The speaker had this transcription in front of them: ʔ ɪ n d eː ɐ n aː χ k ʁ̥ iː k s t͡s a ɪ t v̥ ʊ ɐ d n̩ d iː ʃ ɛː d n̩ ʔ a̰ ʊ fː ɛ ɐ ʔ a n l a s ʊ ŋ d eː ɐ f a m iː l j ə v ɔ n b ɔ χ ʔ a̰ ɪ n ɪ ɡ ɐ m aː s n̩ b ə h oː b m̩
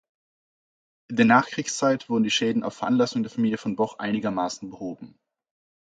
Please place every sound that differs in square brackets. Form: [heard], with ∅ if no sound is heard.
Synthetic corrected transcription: ʔ ɪ n d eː ɐ n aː χ k ʁ̥ iː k s t͡s a ɪ t v̥ ʊ ɐ d n̩ d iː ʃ ɛː d n̩ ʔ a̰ ʊ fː ɛ ɐ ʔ a n l a s ʊ ŋ d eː ɐ f a m iː l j ə [f] ɔ n b ɔ χ ʔ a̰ ɪ n ɪ ɡ ɐ m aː s n̩ b ə h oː b m̩